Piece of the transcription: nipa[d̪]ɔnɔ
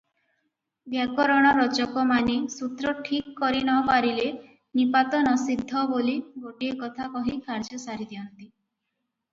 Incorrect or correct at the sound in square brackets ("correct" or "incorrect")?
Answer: incorrect